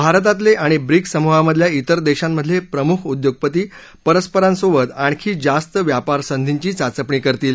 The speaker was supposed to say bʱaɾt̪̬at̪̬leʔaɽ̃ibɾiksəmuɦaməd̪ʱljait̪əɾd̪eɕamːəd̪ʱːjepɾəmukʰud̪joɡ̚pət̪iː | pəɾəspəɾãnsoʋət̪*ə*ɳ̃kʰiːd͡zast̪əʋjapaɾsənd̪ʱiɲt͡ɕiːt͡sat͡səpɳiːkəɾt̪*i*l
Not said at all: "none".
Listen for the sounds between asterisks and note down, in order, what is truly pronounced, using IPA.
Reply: a, iː

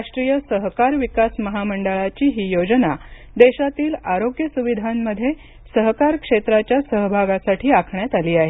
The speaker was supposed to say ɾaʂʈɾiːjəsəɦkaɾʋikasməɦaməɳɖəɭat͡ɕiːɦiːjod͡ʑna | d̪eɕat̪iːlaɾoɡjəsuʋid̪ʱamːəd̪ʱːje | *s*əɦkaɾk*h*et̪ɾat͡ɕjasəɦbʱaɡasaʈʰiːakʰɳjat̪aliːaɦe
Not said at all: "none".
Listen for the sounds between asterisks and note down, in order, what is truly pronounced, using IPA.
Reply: s, ʂ

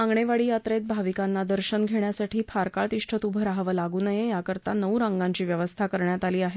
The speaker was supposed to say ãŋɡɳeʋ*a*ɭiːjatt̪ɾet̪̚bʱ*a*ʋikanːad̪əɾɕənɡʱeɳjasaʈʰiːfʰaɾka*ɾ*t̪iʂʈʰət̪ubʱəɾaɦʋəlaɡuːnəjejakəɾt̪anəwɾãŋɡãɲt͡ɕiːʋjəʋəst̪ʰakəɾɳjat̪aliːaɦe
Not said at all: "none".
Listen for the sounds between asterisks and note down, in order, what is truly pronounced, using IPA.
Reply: a, a, ɭ

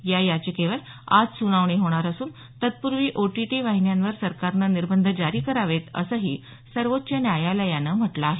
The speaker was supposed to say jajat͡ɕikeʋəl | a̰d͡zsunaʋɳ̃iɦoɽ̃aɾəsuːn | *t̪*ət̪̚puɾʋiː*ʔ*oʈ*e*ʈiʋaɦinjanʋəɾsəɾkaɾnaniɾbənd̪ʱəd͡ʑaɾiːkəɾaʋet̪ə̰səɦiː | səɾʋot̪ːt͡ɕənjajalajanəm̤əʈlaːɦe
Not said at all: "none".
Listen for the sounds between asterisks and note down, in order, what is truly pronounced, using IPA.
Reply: t̪, ʔ, i

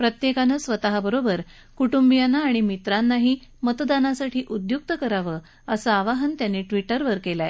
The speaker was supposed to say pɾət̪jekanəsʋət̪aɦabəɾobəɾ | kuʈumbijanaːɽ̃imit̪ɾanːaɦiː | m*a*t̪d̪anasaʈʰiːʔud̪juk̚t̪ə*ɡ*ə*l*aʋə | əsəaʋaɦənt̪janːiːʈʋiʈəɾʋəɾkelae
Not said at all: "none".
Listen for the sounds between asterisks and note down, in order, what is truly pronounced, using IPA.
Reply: ə, k, ɾ

